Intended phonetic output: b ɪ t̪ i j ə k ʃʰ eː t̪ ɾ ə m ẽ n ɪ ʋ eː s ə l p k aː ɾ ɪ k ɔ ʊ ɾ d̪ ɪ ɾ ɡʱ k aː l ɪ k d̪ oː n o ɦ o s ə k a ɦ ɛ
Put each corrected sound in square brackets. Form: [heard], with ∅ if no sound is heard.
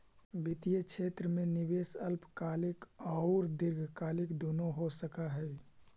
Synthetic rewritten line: b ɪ t̪ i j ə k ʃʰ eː t̪ ɾ ə m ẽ n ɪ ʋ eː s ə l p k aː [l] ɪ k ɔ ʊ ɾ d̪ ɪ ɾ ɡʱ k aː l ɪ k d̪ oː n o ɦ o s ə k a ɦ ɛ